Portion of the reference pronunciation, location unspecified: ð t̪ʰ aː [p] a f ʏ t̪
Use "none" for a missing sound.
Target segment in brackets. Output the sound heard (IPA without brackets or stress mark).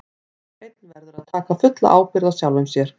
k